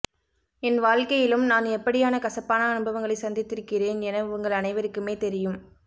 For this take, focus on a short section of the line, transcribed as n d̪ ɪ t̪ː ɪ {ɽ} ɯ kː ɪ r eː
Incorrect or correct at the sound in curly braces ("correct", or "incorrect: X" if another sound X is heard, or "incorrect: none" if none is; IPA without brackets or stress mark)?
incorrect: ɾ